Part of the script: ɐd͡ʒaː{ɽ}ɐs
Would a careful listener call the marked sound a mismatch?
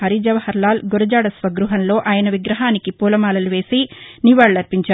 no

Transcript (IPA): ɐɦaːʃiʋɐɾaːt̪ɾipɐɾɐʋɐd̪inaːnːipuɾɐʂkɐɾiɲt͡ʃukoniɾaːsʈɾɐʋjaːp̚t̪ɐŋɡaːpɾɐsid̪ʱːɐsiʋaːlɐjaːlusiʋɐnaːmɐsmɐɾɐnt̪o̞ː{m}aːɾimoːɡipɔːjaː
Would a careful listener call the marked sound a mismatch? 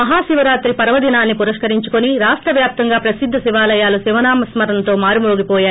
no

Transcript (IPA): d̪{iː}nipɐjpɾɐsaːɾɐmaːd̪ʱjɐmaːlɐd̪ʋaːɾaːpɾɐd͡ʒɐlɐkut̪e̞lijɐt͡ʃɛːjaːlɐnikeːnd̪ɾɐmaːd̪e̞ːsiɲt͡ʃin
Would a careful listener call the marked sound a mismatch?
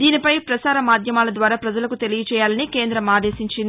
no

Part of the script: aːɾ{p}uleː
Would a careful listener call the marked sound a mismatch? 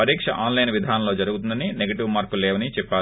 yes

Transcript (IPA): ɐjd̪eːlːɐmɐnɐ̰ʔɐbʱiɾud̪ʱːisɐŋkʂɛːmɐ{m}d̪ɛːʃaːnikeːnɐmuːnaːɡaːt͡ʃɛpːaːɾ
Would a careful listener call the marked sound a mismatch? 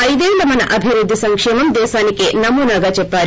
no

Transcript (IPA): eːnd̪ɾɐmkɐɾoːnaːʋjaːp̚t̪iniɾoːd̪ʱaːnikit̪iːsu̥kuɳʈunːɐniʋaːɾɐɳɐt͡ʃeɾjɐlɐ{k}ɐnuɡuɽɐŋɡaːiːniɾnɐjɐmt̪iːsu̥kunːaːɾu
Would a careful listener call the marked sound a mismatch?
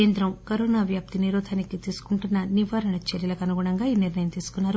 no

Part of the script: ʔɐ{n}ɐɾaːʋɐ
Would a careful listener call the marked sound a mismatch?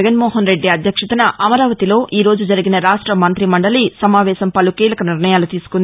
yes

